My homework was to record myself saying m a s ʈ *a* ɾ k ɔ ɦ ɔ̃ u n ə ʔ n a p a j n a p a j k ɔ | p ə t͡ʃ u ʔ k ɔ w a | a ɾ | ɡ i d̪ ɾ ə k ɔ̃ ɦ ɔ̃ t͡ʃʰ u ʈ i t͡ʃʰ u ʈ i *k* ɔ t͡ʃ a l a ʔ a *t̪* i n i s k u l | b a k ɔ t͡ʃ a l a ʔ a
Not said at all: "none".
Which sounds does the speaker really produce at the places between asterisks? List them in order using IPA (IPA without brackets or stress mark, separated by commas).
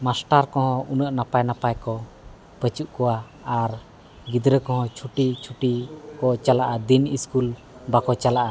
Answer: a, k, d̪